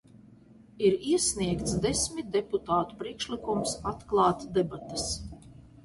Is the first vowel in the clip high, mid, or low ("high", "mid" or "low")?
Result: high